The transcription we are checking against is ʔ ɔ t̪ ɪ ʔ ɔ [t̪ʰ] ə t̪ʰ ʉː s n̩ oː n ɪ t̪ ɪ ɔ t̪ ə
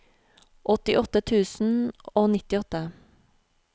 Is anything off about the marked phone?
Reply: yes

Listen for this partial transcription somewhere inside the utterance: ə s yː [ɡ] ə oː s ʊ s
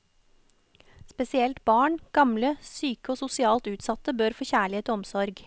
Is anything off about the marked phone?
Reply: yes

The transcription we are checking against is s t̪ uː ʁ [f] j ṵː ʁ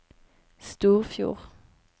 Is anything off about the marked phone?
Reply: no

